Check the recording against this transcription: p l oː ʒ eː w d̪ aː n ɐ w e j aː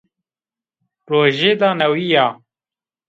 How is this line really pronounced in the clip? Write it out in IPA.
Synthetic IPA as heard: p ɾ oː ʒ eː d̪ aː n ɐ w i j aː